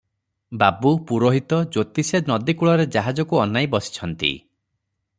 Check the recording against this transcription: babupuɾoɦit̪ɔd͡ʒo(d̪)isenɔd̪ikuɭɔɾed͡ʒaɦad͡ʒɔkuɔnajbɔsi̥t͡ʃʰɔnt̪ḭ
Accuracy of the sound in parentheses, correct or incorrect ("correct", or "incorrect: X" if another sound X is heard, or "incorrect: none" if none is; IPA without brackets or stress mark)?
incorrect: t̪